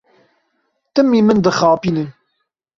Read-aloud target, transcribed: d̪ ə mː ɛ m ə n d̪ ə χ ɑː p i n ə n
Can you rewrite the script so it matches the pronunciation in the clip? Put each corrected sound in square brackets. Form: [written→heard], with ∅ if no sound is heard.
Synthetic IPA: [d̪→t̪] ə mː [ɛ→i] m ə n d̪ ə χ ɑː p i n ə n